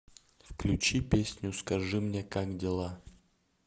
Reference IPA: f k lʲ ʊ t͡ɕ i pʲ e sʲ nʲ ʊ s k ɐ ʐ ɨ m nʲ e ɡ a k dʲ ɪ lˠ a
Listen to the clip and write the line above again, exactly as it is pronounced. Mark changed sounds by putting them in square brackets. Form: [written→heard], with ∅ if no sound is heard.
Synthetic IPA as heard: f k lʲ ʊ t͡ɕ i pʲ e sʲ nʲ ʊ s k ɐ ʐ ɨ m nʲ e [ɡ→k] a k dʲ ɪ lˠ a